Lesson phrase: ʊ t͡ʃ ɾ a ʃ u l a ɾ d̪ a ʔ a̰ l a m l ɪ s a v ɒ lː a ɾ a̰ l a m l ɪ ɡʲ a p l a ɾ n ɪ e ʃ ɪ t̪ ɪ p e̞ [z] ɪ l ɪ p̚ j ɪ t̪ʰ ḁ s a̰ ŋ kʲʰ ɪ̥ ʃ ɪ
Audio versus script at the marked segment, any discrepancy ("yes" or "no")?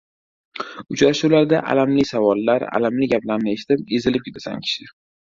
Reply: no